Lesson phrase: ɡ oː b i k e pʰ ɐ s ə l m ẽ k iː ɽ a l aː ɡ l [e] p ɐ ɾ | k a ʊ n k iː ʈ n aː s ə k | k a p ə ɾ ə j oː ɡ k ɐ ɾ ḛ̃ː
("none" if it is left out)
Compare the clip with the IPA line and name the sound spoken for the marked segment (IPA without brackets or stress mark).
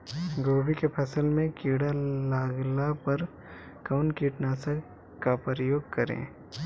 a